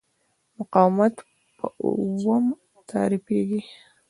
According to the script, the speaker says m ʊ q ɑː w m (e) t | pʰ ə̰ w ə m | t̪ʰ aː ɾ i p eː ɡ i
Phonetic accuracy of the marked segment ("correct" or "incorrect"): incorrect